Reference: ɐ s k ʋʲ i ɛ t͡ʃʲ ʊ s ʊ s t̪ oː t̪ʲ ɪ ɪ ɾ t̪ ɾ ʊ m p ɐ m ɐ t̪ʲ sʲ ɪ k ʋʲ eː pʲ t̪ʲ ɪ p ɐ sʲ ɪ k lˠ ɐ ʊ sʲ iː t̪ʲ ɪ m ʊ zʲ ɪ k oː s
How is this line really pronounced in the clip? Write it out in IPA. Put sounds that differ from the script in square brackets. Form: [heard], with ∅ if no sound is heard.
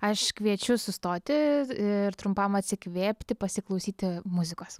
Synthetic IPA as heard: ɐ [ʃ] k ʋʲ i ɛ t͡ʃʲ ʊ s ʊ s t̪ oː t̪ʲ ɪ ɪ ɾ t̪ ɾ ʊ m p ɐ m ɐ t̪ʲ sʲ ɪ k ʋʲ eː pʲ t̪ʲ ɪ p ɐ sʲ ɪ k lˠ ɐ ʊ sʲ iː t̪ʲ ɪ m ʊ zʲ ɪ k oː s